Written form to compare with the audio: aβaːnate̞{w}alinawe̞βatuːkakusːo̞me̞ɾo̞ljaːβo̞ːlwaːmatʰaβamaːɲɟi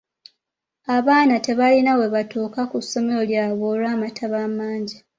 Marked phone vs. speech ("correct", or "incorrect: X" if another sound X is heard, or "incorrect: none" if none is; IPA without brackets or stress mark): incorrect: β